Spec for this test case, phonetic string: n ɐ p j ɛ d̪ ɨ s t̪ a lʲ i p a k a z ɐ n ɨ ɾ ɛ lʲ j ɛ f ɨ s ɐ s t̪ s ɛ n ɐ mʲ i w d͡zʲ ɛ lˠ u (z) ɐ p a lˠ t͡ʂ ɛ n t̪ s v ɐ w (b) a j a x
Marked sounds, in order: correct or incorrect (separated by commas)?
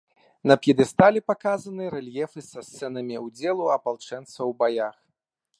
incorrect, correct